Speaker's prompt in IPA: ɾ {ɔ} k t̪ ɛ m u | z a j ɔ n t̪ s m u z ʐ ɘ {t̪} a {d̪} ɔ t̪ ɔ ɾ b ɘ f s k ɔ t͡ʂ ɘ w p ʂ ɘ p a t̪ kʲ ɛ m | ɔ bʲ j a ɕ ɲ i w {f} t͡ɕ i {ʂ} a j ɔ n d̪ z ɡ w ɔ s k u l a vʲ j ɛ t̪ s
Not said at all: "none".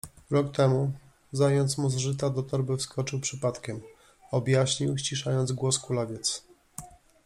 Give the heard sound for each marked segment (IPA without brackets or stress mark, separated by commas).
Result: ɔ, t̪, d̪, ɕ, ʂ